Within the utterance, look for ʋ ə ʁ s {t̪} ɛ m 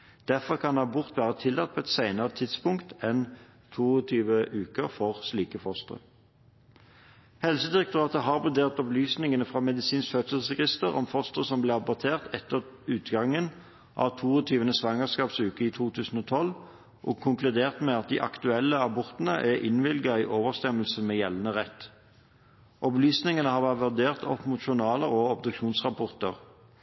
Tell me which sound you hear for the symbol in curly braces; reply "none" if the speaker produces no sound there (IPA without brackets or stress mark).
t̪